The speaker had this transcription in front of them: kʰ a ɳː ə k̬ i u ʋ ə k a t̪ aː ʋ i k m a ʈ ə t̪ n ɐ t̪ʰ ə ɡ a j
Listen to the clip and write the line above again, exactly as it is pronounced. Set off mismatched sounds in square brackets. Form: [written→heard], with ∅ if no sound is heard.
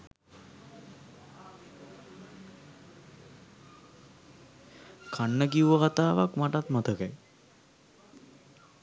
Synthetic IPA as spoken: kʰ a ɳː ə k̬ i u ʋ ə k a t̪ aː ʋ [i→a] k m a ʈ [ə→a] t̪ [n→m] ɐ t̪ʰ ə [ɡ→k] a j